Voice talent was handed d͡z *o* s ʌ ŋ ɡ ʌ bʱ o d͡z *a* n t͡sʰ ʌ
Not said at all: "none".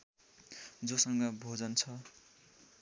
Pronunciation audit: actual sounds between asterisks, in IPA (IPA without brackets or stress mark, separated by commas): o, ʌ